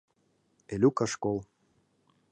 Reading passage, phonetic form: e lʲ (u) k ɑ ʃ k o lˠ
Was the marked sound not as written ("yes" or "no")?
no